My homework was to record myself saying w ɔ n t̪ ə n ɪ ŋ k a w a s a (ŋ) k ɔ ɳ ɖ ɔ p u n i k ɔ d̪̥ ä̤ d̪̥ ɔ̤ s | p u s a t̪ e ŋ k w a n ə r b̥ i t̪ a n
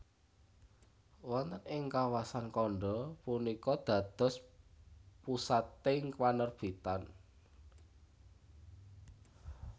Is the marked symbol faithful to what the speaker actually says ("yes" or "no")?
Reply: no